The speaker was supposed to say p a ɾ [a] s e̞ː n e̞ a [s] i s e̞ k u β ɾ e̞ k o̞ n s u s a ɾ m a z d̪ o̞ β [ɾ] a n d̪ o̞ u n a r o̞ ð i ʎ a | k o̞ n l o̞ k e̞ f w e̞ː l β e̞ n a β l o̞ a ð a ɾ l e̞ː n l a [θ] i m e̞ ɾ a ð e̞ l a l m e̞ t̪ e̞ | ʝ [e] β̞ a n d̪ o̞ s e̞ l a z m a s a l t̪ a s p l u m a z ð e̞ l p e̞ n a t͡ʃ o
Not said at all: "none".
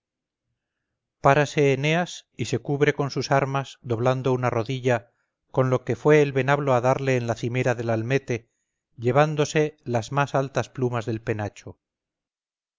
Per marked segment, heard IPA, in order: a, s, l, θ, e

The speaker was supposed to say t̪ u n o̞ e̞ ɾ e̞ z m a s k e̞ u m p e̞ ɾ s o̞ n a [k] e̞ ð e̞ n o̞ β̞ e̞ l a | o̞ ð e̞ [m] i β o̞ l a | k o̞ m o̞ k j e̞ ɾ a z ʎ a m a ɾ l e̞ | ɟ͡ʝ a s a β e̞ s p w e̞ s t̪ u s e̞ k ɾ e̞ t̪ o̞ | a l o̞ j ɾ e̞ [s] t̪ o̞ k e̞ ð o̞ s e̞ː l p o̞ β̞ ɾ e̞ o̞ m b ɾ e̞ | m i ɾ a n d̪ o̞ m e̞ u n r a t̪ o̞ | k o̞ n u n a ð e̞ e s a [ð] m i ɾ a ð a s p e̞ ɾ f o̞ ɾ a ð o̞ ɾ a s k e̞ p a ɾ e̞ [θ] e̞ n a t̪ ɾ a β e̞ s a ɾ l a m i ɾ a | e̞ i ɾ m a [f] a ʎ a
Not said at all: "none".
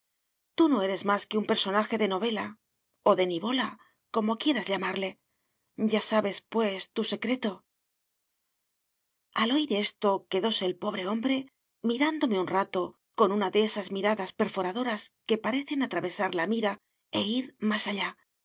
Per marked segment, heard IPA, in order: x, n, s, z, θ, s

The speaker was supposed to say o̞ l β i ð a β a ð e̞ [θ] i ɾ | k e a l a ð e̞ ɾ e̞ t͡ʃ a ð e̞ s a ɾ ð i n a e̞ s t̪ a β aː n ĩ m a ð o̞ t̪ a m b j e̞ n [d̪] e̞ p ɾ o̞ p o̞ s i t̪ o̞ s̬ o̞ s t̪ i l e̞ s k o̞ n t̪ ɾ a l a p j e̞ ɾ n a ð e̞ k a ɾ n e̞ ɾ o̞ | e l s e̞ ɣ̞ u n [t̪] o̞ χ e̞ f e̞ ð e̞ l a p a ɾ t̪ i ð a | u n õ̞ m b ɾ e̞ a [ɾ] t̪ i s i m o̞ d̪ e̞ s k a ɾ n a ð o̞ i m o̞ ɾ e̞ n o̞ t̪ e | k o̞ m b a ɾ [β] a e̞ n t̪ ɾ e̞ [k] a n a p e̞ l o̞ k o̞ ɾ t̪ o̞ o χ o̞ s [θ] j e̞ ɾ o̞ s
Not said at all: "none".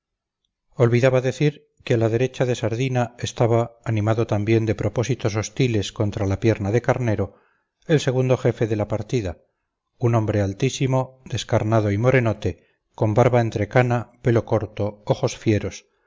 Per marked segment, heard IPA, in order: θ, d̪, d̪, l, β, k, f

